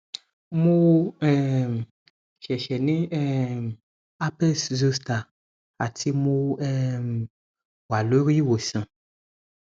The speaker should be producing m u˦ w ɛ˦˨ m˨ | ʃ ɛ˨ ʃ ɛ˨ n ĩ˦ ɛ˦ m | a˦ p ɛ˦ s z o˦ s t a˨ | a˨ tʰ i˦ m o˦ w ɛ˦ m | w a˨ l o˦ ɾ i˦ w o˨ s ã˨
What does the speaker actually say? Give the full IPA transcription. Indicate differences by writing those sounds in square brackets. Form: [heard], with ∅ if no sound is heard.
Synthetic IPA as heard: m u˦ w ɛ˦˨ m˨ | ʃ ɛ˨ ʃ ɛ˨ n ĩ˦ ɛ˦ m | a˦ p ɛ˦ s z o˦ s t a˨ | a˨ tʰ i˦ m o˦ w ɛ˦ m | w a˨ l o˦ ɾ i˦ w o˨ s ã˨